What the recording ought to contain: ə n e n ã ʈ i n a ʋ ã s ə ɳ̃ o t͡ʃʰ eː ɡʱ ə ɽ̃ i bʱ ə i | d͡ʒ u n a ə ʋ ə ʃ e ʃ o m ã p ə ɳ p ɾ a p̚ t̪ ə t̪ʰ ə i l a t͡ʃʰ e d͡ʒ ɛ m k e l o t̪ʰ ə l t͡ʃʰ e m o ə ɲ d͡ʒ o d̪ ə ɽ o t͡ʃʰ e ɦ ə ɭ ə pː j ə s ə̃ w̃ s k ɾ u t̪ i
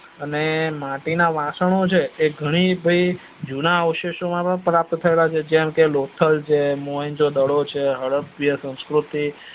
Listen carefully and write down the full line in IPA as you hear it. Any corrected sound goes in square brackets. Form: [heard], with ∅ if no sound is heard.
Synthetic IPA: ə n e [m] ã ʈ i n a ʋ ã s ə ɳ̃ o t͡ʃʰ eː ɡʱ ə ɽ̃ i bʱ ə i | d͡ʒ u n a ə ʋ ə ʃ e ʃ o m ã p ə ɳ p ɾ a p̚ t̪ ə t̪ʰ ə [e] l a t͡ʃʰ e d͡ʒ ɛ m k e l o t̪ʰ ə l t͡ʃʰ e m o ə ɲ d͡ʒ o d̪ ə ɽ o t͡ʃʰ e ɦ ə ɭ ə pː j ə s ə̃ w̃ s k ɾ u t̪ i

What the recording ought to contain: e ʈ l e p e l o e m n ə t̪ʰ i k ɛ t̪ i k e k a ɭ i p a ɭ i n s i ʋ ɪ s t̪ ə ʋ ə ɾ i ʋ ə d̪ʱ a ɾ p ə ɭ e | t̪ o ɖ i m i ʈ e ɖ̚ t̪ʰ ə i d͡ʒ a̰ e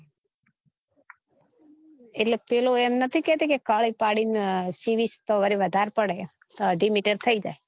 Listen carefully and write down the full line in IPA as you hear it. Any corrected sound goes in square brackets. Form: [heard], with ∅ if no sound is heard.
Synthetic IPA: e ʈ l e p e l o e m n ə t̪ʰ i k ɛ t̪ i k e k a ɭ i p a [ɽ] i n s i ʋ [i] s t̪ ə ʋ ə ɾ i ʋ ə d̪ʱ a ɾ p ə [ɽ] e | t̪ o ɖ i m i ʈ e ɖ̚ t̪ʰ ə i d͡ʒ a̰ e

